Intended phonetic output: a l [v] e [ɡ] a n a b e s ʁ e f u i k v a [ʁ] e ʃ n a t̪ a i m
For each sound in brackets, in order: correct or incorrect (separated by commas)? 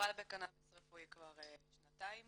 incorrect, incorrect, correct